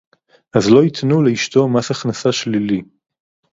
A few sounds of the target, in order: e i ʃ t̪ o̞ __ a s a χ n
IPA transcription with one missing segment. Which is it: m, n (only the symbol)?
m